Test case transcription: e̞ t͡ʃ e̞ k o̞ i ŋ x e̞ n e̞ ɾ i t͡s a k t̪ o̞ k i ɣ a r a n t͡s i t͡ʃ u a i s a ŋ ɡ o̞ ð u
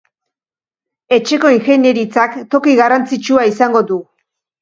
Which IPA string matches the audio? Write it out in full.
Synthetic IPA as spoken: e̞ t͡ʃ e̞ k o̞ i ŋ x e̞ n e̞ ɾ i t͡s a k t̪ o̞ k i ɣ a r a n t͡s i t͡ʃ u a i s a ŋ ɡ o̞ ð u